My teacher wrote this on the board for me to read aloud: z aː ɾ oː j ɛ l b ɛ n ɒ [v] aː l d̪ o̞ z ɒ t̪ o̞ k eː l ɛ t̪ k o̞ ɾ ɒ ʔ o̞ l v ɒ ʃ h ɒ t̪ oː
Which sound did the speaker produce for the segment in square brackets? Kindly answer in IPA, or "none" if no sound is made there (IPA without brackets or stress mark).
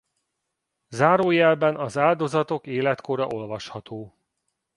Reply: z